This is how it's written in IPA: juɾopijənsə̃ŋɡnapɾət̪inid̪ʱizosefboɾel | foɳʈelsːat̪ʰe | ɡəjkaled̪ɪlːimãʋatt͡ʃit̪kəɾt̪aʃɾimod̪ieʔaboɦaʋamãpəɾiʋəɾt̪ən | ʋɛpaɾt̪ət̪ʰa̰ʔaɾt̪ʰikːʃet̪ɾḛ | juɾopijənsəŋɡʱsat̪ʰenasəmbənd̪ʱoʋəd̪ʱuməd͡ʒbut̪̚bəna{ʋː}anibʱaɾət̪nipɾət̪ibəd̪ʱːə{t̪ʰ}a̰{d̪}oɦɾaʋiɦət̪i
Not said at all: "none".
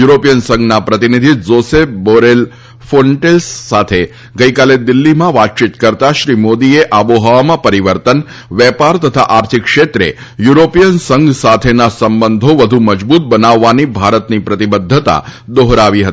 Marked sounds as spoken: ʋː, t̪, d̪

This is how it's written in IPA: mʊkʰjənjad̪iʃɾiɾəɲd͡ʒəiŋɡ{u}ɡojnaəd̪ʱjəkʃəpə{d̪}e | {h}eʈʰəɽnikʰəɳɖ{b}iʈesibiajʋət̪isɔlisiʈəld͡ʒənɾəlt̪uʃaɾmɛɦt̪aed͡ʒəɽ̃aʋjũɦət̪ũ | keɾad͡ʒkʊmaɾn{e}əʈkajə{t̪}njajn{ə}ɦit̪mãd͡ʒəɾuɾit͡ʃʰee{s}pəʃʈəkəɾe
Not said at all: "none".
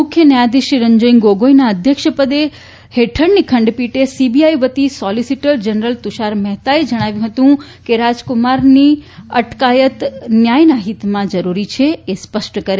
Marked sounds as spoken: o, d̪, h, p, i, t̪, a, s

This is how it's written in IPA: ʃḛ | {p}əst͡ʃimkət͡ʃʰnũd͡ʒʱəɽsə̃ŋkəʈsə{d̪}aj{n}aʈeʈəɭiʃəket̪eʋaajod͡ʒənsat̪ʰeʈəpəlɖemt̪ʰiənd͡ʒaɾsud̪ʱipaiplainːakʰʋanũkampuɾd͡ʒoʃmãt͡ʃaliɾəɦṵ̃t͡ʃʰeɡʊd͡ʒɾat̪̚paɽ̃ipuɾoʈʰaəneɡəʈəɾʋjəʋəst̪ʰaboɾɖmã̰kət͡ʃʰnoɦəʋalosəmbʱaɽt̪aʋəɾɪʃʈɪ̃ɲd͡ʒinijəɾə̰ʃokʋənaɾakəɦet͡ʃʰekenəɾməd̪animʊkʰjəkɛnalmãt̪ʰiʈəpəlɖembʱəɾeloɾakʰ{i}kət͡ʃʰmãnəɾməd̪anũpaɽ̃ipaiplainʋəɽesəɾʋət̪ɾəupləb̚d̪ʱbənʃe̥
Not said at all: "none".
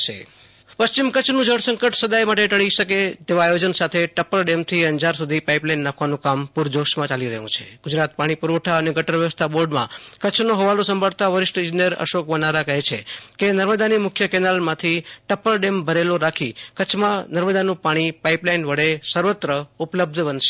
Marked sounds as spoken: p, d̪, m, i

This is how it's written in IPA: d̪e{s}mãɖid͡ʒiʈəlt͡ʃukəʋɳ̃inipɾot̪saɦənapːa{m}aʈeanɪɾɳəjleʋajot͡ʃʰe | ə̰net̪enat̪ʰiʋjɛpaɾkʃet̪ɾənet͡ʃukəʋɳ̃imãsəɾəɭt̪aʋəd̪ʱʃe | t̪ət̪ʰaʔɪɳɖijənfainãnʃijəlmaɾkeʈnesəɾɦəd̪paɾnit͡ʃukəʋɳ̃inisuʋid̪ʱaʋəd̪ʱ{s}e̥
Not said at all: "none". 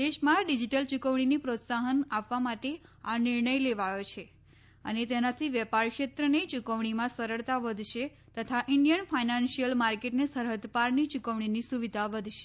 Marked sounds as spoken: ʃ, m, ʃ

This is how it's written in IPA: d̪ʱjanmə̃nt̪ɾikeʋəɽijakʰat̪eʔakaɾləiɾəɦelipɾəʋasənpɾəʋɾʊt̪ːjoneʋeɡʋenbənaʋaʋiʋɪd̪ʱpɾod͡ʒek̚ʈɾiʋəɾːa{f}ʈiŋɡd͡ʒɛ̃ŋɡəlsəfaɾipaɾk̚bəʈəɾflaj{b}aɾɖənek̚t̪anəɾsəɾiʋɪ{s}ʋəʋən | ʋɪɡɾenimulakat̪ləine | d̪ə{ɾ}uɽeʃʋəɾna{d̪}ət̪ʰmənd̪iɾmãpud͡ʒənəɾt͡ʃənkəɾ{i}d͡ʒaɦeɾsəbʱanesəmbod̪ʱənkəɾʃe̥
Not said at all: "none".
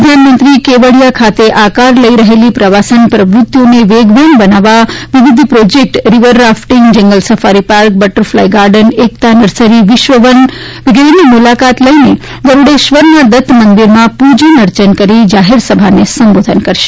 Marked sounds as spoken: f, ɡ, ʃ, ɾ, d̪, i

